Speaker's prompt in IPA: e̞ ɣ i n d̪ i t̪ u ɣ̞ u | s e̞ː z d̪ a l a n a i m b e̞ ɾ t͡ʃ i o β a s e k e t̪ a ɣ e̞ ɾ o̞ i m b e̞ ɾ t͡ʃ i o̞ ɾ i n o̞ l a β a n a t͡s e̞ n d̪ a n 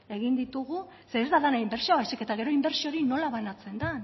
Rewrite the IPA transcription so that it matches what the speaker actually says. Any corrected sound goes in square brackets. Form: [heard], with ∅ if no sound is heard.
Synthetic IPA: e̞ ɣ i n d̪ i t̪ u ɣ̞ u | s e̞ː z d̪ a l a n a i m b e̞ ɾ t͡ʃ i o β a s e k e t̪ a ɣ e̞ ɾ o̞ i m b e̞ ɾ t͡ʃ i o̞ ɾ i n o̞ l a β a n a t͡s e̞ n d̪ a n